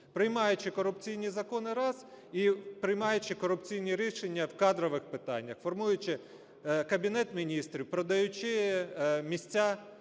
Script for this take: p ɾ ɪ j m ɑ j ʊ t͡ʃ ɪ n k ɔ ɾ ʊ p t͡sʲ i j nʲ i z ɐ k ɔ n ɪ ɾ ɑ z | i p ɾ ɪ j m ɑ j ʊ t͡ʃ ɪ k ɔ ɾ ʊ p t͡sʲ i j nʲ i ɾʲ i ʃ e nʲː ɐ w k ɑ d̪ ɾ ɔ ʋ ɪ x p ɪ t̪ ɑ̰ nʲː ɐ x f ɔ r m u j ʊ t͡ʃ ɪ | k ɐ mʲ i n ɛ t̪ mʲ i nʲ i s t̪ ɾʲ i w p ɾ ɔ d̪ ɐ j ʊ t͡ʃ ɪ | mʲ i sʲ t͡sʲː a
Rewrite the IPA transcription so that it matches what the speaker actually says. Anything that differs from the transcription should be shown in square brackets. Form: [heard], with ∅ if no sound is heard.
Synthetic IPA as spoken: p ɾ ɪ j m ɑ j ʊ t͡ʃ ɪ [∅] k ɔ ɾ ʊ p t͡sʲ i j nʲ i z ɐ k ɔ n ɪ ɾ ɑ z | i p ɾ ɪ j m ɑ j ʊ t͡ʃ ɪ k ɔ ɾ ʊ p t͡sʲ i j nʲ i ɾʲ i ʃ e nʲː ɐ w k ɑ d̪ ɾ ɔ ʋ ɪ x p ɪ t̪ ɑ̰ nʲː ɐ x f ɔ r m u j ʊ t͡ʃ ɪ | k ɐ [bʲ] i n ɛ t̪ mʲ i nʲ i s t̪ ɾʲ i w p ɾ ɔ d̪ ɐ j ʊ t͡ʃ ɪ | mʲ i sʲ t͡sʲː a